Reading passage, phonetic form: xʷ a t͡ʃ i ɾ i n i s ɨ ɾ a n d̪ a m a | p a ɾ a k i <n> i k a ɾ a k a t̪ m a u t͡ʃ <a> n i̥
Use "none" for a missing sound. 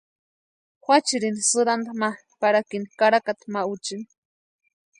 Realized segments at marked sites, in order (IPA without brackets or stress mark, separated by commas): n, i